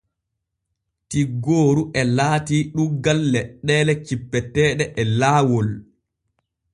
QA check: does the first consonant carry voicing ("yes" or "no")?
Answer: no